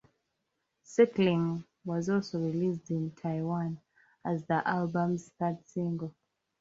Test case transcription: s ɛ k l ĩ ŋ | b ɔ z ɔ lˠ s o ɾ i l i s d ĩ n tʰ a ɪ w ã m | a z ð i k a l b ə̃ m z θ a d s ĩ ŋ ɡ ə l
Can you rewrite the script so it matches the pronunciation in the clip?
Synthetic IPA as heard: s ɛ k l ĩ ŋ | w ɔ z ɔ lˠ s o ɹ i l i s d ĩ n tʰ a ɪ w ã n | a z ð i ʔ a l b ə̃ m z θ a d s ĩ ŋ ɡ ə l